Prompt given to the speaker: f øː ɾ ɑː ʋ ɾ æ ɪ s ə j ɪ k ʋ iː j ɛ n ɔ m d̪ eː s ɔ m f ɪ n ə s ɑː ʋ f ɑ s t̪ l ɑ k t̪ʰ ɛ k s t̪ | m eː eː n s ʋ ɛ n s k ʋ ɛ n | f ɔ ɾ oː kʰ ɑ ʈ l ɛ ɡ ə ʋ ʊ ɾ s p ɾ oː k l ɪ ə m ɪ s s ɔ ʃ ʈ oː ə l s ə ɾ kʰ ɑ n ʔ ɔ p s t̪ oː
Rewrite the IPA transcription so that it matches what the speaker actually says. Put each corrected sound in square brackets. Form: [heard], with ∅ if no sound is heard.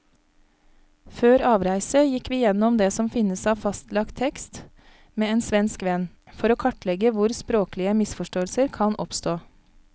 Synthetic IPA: f øː ɾ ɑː ʋ ɾ æ ɪ s ə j ɪ k ʋ iː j ɛ n ɔ m d̪ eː s ɔ m f ɪ n ə s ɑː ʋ f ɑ s t̪ l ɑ k t̪ʰ ɛ k s t̪ | m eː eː n s ʋ ɛ n s k ʋ ɛ n | f ɔ ɾ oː kʰ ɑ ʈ l ɛ ɡ ə ʋ ʊ ɾ s p ɾ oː k l ɪ ə m ɪ s [f] ɔ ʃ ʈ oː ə l s ə ɾ kʰ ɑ n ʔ ɔ p s t̪ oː